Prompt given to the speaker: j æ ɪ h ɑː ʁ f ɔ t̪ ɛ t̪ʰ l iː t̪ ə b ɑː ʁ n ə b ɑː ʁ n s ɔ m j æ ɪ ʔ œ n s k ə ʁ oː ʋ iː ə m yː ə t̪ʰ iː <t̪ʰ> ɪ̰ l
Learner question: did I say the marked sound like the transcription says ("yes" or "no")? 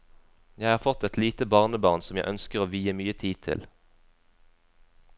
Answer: yes